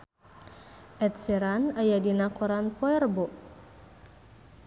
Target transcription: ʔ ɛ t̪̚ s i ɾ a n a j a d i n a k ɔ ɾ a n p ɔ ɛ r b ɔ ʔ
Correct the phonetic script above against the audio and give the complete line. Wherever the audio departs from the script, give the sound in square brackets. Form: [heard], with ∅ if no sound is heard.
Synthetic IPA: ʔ ɛ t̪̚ s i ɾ a n a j a d i n a k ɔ ɾ a n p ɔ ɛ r b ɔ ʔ